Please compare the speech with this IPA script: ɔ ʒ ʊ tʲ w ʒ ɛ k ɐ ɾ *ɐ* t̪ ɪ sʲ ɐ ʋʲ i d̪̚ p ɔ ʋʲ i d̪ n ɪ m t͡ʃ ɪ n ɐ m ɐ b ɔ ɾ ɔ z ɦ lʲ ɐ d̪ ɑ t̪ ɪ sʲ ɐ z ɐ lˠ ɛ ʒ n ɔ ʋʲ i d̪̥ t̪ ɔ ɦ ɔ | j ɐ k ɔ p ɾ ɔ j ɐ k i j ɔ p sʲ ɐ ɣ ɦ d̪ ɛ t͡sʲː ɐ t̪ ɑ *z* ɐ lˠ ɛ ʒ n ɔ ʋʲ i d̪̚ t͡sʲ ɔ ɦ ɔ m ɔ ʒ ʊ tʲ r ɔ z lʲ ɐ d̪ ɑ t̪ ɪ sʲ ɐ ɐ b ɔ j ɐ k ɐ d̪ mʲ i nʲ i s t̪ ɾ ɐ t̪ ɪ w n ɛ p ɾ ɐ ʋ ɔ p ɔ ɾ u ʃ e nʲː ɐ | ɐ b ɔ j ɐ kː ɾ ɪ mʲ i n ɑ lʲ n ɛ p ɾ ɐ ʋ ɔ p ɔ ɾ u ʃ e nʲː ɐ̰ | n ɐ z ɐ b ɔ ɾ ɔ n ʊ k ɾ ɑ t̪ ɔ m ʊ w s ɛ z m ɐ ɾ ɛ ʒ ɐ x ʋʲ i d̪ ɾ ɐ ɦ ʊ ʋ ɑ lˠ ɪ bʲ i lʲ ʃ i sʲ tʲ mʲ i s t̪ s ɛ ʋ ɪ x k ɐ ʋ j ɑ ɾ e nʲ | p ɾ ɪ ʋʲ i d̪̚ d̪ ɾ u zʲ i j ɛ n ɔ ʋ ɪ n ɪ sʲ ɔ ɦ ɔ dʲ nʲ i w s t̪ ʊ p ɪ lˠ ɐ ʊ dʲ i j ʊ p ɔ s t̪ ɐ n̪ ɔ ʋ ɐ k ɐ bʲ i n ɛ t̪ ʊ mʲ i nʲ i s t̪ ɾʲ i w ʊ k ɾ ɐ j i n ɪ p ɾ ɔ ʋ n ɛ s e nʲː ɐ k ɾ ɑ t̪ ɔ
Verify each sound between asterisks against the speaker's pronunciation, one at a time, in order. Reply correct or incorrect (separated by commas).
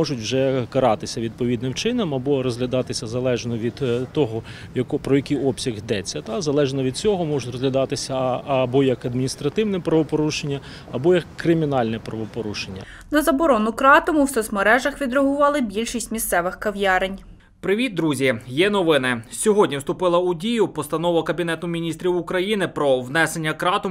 incorrect, correct